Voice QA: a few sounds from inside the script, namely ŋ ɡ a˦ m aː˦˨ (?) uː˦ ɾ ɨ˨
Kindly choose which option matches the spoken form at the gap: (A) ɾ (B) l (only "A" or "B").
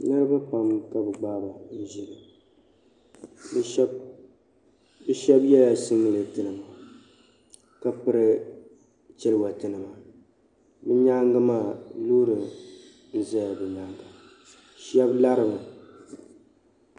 B